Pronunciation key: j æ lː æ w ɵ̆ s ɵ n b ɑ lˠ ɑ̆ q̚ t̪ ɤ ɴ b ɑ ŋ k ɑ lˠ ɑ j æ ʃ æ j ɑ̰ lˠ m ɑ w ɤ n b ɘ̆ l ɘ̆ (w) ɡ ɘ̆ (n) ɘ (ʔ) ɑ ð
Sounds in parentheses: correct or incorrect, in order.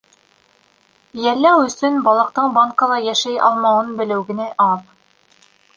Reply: correct, correct, correct

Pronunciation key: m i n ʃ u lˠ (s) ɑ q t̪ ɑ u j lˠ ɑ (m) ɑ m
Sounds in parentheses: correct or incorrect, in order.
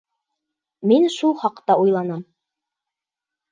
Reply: incorrect: χ, incorrect: n

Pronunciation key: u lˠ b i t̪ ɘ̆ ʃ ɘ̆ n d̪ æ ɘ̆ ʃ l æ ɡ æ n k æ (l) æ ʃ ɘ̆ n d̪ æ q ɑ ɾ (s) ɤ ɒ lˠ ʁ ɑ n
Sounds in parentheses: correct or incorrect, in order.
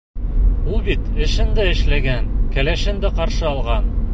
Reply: correct, incorrect: ʃ

